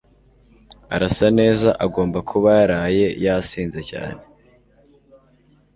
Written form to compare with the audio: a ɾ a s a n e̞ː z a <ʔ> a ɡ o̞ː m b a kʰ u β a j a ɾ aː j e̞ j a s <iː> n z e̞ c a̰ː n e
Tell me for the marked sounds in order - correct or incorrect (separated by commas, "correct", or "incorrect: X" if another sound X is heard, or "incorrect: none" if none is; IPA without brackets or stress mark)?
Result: correct, correct